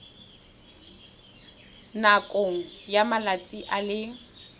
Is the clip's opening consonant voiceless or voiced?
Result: voiced